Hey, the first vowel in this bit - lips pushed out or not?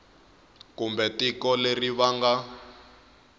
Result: yes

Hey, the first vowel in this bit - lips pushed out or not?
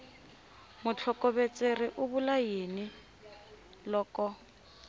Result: yes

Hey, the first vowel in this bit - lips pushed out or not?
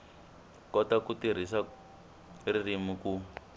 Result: yes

